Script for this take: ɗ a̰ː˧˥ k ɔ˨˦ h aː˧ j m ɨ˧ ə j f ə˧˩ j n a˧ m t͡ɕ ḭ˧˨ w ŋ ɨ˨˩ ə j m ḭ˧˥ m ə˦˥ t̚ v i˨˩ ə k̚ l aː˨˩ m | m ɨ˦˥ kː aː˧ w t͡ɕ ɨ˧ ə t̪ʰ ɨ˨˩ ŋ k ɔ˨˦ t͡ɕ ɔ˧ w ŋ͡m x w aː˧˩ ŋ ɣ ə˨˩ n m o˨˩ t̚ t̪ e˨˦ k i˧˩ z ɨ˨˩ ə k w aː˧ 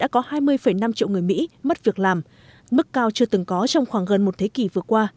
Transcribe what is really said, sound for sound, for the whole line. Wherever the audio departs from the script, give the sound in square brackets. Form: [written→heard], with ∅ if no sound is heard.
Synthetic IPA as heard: ɗ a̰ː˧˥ k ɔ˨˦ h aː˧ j m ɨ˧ ə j f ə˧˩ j n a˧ m t͡ɕ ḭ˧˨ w ŋ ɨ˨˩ ə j m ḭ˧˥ m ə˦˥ t̚ v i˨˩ ə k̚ l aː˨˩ m | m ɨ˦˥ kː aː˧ w t͡ɕ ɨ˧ ə [t̪ʰ→t̪] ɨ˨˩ ŋ k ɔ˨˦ t͡ɕ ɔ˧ w ŋ͡m x w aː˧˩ ŋ ɣ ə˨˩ n m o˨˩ t̚ [t̪→t̪ʰ] e˨˦ k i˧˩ [z→v] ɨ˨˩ ə k w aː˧